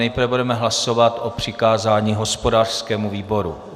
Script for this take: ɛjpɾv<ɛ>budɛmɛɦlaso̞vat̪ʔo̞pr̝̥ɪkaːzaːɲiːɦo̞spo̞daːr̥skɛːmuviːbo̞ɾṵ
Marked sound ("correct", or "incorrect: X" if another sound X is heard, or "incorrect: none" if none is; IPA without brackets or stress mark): correct